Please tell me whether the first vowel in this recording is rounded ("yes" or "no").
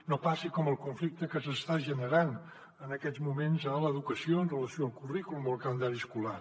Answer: yes